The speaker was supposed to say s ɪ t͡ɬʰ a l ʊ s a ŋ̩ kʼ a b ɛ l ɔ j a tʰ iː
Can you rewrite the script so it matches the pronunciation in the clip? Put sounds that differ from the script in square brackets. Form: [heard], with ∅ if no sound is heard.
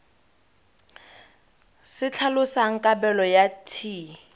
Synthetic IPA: s ɪ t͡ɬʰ a l ʊ s a ŋ̩ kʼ a b ɛ l ɔ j a tʰ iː